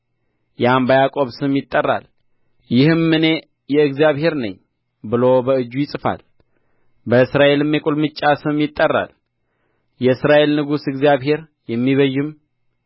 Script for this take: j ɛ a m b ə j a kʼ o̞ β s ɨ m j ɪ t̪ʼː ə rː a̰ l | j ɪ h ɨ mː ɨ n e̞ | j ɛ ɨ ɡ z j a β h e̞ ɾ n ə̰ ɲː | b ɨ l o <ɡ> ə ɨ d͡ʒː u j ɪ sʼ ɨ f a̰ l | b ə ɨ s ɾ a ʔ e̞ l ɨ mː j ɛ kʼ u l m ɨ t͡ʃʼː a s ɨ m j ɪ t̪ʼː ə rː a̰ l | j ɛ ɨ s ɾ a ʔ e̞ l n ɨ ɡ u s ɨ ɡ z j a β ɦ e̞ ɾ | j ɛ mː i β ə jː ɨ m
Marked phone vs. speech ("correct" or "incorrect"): incorrect